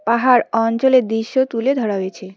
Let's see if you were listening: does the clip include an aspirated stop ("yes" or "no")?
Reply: yes